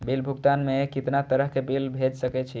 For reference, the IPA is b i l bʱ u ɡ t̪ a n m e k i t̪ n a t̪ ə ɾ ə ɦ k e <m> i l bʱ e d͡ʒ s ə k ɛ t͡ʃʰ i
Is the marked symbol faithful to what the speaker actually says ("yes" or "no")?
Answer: no